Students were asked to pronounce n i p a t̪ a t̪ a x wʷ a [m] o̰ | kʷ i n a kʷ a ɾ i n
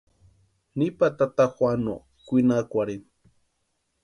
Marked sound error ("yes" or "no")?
yes